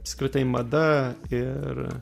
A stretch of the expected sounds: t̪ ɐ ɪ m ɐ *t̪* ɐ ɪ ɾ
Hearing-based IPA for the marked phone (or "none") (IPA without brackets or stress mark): d̪